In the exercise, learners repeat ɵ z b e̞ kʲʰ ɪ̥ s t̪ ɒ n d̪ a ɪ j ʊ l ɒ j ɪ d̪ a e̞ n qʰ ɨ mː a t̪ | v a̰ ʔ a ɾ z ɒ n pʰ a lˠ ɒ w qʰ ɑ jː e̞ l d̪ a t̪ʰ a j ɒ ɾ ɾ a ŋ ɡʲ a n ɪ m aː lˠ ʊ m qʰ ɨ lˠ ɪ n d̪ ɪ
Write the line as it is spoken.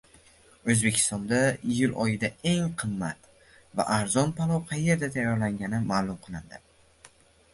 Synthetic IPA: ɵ z b e̞ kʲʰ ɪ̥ s t̪ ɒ n d̪ a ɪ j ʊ l ɒ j ɪ d̪ a e̞ ŋ qʰ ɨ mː a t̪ | v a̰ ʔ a ɾ z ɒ n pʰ a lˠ ɒ w qʰ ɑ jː e̞ ɾ d̪ a t̪ʰ a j ɒ ɾ l a ŋ ɡʲ a n ɪ m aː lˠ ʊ m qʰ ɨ lˠ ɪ n d̪ ɪ